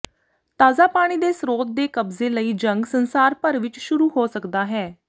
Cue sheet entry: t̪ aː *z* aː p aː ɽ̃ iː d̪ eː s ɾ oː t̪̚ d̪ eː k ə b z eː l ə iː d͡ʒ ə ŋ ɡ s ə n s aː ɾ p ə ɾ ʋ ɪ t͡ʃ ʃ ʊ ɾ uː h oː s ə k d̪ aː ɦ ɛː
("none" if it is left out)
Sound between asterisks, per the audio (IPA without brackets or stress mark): z